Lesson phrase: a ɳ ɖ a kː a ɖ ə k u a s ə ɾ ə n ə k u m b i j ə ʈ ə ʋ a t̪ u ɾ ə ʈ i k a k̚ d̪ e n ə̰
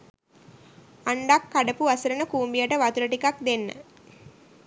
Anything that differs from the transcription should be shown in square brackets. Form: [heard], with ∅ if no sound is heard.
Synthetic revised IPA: a ɳ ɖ a kː a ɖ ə [p] u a s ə ɾ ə n ə k [uː] m b i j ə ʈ ə ʋ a t̪ u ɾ ə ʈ i k a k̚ d̪ e [nː] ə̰